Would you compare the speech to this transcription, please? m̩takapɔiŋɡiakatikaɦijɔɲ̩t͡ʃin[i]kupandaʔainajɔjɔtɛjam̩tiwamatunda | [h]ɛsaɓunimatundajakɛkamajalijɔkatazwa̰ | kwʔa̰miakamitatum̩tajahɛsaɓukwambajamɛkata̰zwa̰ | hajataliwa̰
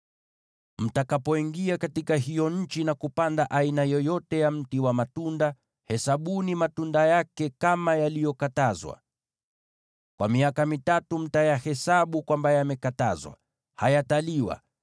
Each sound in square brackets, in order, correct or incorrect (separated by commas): incorrect, correct